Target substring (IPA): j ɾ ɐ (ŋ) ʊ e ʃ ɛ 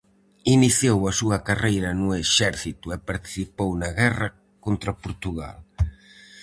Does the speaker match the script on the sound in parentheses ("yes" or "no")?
no